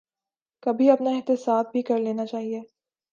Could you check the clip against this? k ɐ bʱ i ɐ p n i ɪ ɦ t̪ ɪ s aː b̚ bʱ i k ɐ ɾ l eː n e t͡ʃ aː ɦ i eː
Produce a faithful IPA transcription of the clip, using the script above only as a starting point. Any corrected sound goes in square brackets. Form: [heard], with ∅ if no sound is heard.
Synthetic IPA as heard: k ɐ bʱ i ɐ p n [a] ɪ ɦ t̪ ɪ s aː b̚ bʱ i k ɐ ɾ l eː n [a] t͡ʃ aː ɦ i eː